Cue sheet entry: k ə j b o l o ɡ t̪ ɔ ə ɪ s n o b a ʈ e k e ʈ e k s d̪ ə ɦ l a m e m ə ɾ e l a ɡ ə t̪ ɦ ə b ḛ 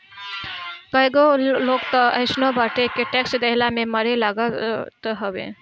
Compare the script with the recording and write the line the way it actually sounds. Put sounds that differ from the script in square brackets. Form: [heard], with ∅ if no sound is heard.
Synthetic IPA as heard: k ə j [ɡ] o l o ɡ t̪ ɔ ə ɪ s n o b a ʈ e k e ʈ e k s d̪ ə ɦ l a m e m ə ɾ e l a ɡ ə t̪ ɦ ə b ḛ